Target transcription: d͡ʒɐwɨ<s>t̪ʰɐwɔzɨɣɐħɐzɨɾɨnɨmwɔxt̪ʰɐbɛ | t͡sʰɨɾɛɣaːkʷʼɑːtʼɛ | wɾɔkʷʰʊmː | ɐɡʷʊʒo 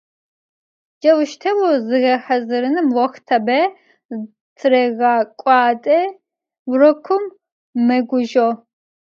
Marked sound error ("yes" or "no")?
yes